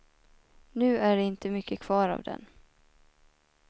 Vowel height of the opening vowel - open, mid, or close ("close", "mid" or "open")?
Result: close